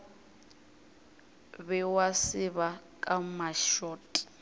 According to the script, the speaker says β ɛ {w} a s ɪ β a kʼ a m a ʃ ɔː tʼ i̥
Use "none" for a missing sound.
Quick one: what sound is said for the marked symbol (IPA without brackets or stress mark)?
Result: w